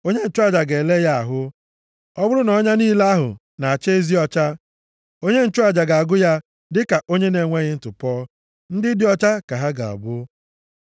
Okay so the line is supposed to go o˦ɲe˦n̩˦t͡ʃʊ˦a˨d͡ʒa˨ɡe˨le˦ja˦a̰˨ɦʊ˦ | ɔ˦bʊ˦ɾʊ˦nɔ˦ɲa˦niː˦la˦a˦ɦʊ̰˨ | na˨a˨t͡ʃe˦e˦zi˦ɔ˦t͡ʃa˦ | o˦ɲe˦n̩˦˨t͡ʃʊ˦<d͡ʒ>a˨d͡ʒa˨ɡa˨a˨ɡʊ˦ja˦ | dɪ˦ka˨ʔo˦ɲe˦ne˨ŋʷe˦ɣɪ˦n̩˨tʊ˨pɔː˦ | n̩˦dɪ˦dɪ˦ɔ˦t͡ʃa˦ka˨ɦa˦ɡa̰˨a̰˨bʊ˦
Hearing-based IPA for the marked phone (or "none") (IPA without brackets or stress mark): none